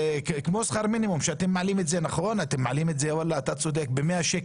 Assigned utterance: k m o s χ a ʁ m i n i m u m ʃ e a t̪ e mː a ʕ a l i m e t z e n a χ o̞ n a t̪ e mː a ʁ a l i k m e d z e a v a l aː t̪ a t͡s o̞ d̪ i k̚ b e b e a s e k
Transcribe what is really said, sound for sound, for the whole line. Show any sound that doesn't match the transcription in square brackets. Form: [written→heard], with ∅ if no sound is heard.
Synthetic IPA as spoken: k m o s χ a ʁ m i n i m u m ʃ e a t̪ e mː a ʕ a l i m e t z e n a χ o̞ n a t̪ e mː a [ʁ→ʕ] a l i [k→∅] m e [d→t] z e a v a l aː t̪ a t͡s o̞ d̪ [i→e] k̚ b e [b→m] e a [s→ʃ] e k